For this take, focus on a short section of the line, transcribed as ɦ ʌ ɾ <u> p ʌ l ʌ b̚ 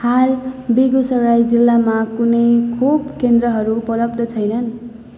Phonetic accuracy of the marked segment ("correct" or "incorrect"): correct